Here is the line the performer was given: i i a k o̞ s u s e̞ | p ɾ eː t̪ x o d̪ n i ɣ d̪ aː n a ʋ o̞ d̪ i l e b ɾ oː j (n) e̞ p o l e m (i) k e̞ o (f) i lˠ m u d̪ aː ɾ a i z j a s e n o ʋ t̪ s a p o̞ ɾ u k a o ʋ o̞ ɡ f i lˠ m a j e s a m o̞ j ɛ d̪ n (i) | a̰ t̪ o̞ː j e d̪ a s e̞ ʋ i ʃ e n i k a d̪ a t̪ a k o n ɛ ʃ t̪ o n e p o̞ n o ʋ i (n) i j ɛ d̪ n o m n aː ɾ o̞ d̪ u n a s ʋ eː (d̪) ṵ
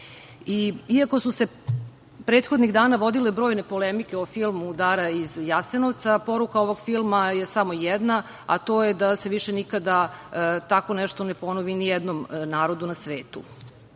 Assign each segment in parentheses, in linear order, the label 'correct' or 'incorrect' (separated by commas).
correct, correct, correct, incorrect, correct, incorrect